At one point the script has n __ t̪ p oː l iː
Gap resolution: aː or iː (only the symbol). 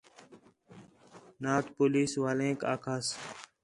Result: aː